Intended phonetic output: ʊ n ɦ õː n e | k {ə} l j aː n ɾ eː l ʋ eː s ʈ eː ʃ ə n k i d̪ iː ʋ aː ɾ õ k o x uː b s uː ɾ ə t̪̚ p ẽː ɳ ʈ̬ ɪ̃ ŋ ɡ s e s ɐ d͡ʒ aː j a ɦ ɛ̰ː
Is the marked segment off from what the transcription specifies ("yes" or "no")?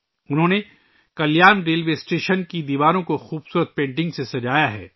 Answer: yes